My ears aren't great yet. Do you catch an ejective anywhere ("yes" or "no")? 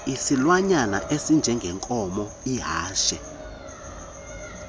yes